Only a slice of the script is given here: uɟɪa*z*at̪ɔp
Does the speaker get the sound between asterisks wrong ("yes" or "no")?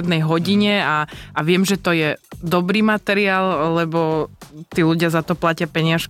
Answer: no